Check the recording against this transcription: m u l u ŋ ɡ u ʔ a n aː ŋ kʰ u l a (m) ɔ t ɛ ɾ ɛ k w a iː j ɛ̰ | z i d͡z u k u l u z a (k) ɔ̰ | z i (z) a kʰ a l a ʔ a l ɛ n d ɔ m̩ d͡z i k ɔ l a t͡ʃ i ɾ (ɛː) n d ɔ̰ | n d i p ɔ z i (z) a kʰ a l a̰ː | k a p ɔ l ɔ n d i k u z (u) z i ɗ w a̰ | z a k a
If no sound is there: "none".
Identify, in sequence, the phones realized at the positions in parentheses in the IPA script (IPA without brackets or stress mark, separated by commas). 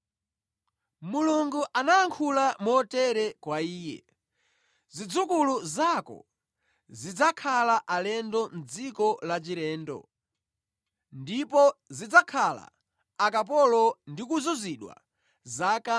m, k, d͡z, ɛː, d͡z, u